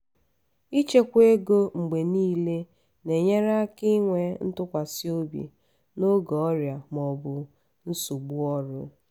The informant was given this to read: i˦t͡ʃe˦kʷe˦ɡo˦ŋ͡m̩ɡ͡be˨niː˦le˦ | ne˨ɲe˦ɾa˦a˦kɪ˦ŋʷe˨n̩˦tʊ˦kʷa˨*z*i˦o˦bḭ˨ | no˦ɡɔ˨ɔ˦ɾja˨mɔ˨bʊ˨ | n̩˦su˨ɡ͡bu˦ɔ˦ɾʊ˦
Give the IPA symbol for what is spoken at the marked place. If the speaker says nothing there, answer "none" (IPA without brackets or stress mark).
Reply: s